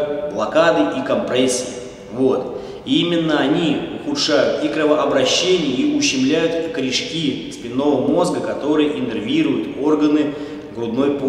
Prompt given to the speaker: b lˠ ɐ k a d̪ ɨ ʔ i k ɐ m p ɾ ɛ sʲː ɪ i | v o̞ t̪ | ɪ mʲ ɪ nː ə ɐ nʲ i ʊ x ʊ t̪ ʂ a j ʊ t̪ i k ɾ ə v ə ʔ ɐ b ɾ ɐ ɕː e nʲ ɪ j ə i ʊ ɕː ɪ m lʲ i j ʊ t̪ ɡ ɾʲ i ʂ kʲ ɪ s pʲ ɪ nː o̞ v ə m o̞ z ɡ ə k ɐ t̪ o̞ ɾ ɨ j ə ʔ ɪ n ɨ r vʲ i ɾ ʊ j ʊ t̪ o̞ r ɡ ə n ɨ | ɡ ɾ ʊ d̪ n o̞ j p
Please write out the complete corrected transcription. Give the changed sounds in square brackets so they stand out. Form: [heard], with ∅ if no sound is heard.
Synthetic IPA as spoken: b lˠ ɐ k a d̪ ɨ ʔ i k ɐ m p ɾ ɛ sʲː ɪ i | v o̞ t̪ | [i] mʲ ɪ nː ə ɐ nʲ i ʊ x ʊ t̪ ʂ a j ʊ t̪ i k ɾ ə v ə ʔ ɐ b ɾ ɐ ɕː e nʲ ɪ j ə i ʊ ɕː ɪ m lʲ [æ] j ʊ t̪ [k] ɾʲ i ʂ kʲ [i] s pʲ ɪ nː o̞ v ə m o̞ z ɡ ə k ɐ t̪ o̞ ɾ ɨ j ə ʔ ɪ n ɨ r vʲ i ɾ ʊ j ʊ t̪ o̞ r ɡ ə n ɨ | ɡ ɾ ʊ d̪ n o̞ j p

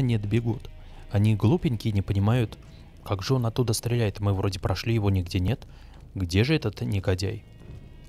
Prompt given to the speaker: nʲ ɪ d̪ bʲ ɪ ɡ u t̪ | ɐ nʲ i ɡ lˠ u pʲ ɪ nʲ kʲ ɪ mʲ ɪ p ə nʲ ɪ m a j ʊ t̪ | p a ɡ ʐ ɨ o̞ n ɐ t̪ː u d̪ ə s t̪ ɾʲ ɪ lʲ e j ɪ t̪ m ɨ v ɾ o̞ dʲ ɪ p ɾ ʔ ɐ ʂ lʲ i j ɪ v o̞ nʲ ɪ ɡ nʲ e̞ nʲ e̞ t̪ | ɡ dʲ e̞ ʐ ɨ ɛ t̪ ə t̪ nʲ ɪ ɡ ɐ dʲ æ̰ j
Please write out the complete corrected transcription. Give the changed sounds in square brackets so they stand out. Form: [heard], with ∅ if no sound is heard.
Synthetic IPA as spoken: nʲ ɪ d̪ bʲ ɪ ɡ u t̪ | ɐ nʲ i ɡ lˠ u pʲ ɪ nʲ kʲ ɪ [nʲ] ɪ p ə nʲ ɪ m a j ʊ t̪ | [k] a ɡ ʐ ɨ o̞ n ɐ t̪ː u d̪ ə s t̪ ɾʲ ɪ lʲ [æ] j ɪ t̪ m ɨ v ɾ o̞ dʲ ɪ p ɾ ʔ ɐ ʂ lʲ i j ɪ v o̞ nʲ ɪ ɡ [dʲ] e̞ nʲ e̞ t̪ | ɡ dʲ e̞ ʐ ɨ ɛ t̪ ə t̪ nʲ ɪ ɡ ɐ dʲ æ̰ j

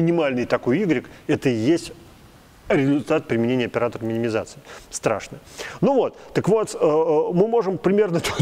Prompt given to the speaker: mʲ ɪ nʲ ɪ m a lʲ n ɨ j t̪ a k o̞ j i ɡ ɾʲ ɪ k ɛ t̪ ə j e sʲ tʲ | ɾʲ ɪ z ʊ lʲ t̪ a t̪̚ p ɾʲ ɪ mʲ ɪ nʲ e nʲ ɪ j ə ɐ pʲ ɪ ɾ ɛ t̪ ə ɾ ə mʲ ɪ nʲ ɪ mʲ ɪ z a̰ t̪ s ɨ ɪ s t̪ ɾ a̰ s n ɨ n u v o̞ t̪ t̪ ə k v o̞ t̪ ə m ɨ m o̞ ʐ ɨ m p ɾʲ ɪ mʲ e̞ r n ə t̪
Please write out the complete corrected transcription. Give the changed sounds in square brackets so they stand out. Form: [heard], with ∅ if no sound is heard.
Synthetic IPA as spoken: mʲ ɪ nʲ ɪ m a lʲ n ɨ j t̪ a k o̞ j i ɡ ɾʲ ɪ k ɛ t̪ ə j e sʲ tʲ | ɾʲ ɪ z ʊ lʲ t̪ a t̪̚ p ɾʲ ɪ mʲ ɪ nʲ e nʲ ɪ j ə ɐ pʲ ɪ ɾ [a] t̪ ə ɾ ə mʲ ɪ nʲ ɪ mʲ ɪ z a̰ t̪ s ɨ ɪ s t̪ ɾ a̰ [ʂ] n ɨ n u v o̞ t̪ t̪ ə k v o̞ t̪ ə m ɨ m o̞ ʐ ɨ m p ɾʲ ɪ mʲ e̞ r n ə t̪

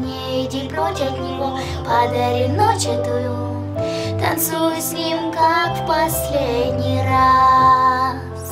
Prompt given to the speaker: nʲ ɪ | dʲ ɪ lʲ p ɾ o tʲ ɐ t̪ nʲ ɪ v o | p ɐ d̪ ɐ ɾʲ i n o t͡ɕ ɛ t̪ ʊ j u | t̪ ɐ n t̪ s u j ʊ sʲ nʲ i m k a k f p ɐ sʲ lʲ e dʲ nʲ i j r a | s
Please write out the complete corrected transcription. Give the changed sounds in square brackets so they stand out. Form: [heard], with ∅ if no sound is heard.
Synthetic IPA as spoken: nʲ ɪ | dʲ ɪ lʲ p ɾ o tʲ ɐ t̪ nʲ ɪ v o | p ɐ d̪ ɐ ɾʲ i n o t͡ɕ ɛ t̪ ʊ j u | t̪ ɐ n t̪ s u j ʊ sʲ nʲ i m k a k f p ɐ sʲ lʲ e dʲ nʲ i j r a | s

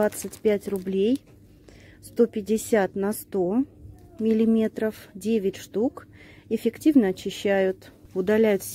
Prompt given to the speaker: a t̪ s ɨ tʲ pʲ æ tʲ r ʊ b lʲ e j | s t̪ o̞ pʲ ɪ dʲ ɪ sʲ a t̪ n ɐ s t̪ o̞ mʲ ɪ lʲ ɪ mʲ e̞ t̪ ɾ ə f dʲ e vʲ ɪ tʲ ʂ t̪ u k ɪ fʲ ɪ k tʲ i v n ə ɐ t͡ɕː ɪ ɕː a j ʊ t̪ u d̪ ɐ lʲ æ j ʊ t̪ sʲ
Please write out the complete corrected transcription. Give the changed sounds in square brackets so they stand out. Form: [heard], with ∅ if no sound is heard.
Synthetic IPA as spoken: a t̪ s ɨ tʲ pʲ æ tʲ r ʊ b lʲ e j | s t̪ o̞ pʲ ɪ dʲ ɪ sʲ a t̪ n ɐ s t̪ o̞ mʲ ɪ lʲ ɪ mʲ e̞ t̪ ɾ ə f dʲ e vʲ ɪ tʲ ʂ t̪ u k ɪ fʲ ɪ k tʲ i v n ə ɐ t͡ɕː ɪ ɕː [æ] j ʊ t̪ [ʊ] d̪ ɐ lʲ æ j ʊ t̪ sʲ

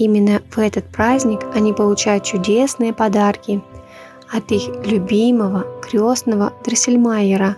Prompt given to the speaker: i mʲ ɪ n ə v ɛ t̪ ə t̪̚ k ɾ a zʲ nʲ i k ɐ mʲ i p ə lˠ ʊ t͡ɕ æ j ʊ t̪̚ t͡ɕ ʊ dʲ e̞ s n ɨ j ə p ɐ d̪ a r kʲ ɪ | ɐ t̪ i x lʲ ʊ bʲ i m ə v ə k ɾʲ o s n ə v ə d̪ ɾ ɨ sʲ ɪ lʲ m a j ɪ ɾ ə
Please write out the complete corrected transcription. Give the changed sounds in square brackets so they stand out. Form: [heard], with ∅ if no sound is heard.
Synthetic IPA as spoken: i mʲ ɪ [nː] ə v ɛ t̪ ə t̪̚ [p] ɾ a zʲ nʲ [ɪ] k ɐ [nʲ] i p ə lˠ ʊ t͡ɕ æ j ʊ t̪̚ t͡ɕ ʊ dʲ e̞ s n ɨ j ə p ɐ d̪ a r kʲ ɪ | ɐ t̪ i x lʲ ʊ bʲ i m ə v ə k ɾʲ o s n ə v ə d̪ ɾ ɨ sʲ ɪ lʲ m a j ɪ ɾ ə

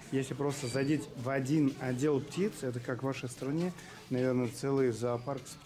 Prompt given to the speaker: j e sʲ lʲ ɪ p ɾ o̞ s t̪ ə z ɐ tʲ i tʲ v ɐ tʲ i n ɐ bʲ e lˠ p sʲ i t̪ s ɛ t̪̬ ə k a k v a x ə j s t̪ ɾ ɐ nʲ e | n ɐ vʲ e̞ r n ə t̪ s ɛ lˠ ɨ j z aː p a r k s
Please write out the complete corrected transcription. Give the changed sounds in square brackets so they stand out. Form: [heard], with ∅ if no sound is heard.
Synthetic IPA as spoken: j e sʲ lʲ ɪ p ɾ o̞ s t̪ ə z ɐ [dʲ] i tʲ v ɐ [dʲ] i n ɐ [dʲ] e lˠ p [tʲ] i t̪ s ɛ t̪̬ ə k a k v a [ʂ] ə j s t̪ ɾ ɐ nʲ e | n ɐ vʲ e̞ r n ə t̪ s ɛ lˠ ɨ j z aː p a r k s

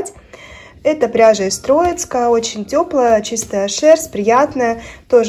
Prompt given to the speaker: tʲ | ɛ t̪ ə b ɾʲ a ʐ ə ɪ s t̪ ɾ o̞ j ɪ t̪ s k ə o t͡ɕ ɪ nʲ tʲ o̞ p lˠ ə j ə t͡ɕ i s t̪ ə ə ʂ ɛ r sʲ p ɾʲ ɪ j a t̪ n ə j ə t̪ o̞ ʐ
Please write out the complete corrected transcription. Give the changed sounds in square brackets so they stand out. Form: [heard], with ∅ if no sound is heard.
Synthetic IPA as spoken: tʲ | ɛ t̪ ə [p] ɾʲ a ʐ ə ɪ s t̪ ɾ o̞ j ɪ t̪ s k ə o t͡ɕ ɪ nʲ tʲ o̞ p lˠ ə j ə t͡ɕ i s t̪ ə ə ʂ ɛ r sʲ p ɾʲ ɪ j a t̪ n ə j ə t̪ o̞ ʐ

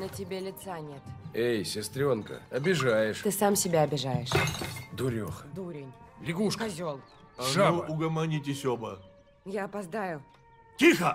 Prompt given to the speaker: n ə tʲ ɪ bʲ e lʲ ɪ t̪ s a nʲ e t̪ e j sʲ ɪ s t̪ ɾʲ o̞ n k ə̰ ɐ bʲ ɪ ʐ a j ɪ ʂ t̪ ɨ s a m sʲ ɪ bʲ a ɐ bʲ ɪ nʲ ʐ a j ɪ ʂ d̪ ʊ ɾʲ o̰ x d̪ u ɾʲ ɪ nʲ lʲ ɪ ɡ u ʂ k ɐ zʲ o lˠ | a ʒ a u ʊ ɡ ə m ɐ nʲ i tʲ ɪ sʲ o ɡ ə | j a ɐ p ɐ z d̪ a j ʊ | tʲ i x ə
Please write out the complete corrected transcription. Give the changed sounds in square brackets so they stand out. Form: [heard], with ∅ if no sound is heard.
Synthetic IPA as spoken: n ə tʲ ɪ bʲ e lʲ ɪ t̪ s a nʲ e t̪ e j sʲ ɪ s t̪ ɾʲ o̞ n k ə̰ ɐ bʲ ɪ ʐ a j ɪ ʂ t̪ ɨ s a m sʲ ɪ bʲ a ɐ bʲ ɪ [∅] ʐ a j ɪ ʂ d̪ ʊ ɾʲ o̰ x d̪ u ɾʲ ɪ nʲ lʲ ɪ ɡ u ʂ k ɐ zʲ o lˠ | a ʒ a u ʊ ɡ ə m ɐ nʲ i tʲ ɪ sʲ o [b] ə | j a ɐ p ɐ z d̪ a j ʊ | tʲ i x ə

